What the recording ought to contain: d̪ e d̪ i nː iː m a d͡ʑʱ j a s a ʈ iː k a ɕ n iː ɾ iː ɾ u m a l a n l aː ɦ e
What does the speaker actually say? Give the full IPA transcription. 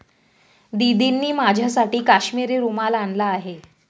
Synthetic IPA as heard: d̪ i d̪ i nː iː m a d͡ʑʱ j a s a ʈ iː k a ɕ m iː ɾ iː ɾ u m a l a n l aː ɦ e